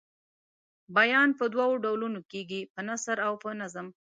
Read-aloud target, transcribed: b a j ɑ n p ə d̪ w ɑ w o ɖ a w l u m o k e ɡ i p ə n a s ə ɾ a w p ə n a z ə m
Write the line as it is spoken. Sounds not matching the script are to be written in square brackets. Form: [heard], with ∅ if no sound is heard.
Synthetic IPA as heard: b a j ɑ n p ə d̪ w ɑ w o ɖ a w l u [n] o k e ɡ i p ə n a s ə ɾ a w p ə n a z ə m